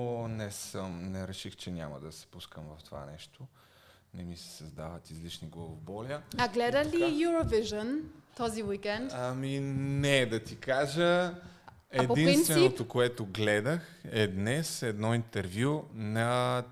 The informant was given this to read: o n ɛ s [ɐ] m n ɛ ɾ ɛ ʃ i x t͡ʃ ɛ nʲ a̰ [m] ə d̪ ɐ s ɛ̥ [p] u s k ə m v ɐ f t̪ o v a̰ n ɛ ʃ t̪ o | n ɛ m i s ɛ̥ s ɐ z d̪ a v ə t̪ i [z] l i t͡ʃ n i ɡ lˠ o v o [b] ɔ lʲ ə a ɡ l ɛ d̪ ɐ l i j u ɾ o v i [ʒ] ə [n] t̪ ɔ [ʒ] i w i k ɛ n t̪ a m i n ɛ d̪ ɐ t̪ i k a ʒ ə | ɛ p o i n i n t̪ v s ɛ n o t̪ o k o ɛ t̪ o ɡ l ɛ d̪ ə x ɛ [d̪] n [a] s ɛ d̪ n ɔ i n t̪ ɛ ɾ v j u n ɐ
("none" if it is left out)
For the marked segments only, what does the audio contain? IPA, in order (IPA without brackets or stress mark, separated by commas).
ə, m, p, z, b, ʒ, n, z, d̪, ɛ